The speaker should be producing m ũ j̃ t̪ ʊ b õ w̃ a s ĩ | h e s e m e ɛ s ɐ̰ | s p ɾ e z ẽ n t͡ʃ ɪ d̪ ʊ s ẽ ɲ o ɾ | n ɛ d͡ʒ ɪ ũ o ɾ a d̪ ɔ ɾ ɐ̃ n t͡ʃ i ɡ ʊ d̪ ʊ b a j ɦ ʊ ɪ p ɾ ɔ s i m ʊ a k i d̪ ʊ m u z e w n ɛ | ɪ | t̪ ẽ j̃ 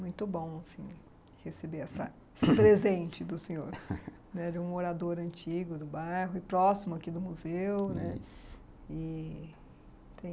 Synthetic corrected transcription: m ũ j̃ t̪ ʊ b õ w̃ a s ĩ | h e s e b e ɛ s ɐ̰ | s p ɾ e z ẽ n t͡ʃ ɪ d̪ ʊ s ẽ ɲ o ɾ | n ɛ d͡ʒ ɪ ũ o ɾ a d̪ o ɾ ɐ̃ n t͡ʃ i ɡ ʊ d̪ ʊ b a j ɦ ʊ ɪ p ɾ ɔ s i m ʊ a k i d̪ ʊ m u z e w n ɛ | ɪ | t̪ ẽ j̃

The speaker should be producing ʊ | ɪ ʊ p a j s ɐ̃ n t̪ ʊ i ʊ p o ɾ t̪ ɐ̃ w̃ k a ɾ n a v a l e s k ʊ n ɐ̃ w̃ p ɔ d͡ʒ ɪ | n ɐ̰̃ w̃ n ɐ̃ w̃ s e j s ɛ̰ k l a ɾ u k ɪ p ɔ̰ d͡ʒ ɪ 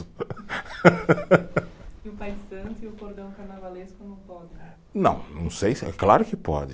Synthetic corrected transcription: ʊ | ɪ ʊ p a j s ɐ̃ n t̪ ʊ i ʊ k o ɾ d̪ ɐ̃ w̃ k a ɾ n a v a l e s k ʊ n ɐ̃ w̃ p ɔ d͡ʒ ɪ | n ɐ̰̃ w̃ n ɐ̃ w̃ s e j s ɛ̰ k l a ɾ ʊ k ɪ p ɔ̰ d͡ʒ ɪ

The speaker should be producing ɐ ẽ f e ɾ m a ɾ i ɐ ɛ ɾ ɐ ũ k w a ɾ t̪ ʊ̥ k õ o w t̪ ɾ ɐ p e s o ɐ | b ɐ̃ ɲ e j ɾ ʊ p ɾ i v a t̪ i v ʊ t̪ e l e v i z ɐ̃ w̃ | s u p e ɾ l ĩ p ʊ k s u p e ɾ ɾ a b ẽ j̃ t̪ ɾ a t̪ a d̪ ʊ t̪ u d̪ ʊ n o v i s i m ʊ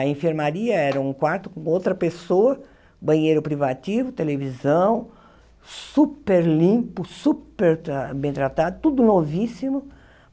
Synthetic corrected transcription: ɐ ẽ f e ɾ m a ɾ i ɐ ɛ ɾ ɐ ũ k w a ɾ t̪ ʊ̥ k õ o w t̪ ɾ ɐ p e s o ɐ | b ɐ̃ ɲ e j ɾ ʊ p ɾ i v a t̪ i v ʊ t̪ e l e v i z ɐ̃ w̃ | s u p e ɾ l ĩ p ʊ s u p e ɾ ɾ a b ẽ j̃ t̪ ɾ a t̪ a d̪ ʊ t̪ u d̪ ʊ n o v i s i m ʊ

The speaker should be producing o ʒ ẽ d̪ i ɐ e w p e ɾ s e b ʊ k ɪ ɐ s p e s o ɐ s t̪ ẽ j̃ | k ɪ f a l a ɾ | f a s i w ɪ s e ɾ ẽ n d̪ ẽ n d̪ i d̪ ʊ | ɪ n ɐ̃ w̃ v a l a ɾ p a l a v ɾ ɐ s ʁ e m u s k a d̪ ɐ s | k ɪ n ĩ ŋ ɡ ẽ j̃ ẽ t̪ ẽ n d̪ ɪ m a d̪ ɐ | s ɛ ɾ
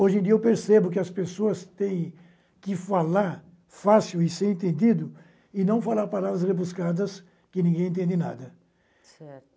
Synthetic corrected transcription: o ʒ ẽ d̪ i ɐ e w p e ɾ s e b ʊ k ɪ ɐ s p e s o ɐ s t̪ ẽ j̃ | k ɪ f a l a ɾ | f a s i w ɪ s e ɾ ẽ n t̪ ẽ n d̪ i d̪ ʊ | ɪ n ɐ̃ w̃ f a l a ɾ p a l a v ɾ ɐ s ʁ e b u s k a d̪ ɐ s | k ɪ n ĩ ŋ ɡ ẽ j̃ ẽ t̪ ẽ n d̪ ɪ n a d̪ ɐ | s ɛ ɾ

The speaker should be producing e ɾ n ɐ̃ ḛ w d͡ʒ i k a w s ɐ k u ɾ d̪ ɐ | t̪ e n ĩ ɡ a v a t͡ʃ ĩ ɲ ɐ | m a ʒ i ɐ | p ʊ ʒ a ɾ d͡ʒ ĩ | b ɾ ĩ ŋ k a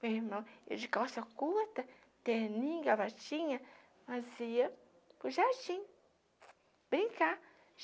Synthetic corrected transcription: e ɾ m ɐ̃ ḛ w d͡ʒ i k a w s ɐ k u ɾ t̪ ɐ | t̪ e n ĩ ɡ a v a t͡ʃ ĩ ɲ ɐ | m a z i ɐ | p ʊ ʒ a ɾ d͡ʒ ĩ | b ɾ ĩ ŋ k a

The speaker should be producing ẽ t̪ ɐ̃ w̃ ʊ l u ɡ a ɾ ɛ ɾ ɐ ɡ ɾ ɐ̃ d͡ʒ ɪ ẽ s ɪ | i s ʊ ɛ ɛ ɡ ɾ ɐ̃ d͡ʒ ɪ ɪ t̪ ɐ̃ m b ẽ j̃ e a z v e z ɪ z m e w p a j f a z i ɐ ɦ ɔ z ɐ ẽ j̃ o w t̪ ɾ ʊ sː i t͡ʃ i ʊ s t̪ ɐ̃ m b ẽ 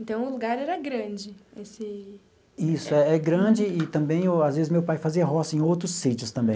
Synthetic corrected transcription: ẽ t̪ ɐ̃ w̃ ʊ l u ɡ a ɾ ɛ ɾ ɐ ɡ ɾ ɐ̃ d͡ʒ ɪ e s ɪ | i s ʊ ɛ ɛ ɡ ɾ ɐ̃ d͡ʒ ɪ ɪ t̪ ɐ̃ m b ẽ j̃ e a z v e z ɪ z m e w p a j f a z i ɐ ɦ ɔ s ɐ ẽ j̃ o w t̪ ɾ ʊ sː i t͡ʃ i ʊ s t̪ ɐ̃ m b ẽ

